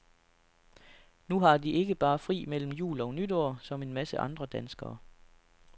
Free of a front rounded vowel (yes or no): no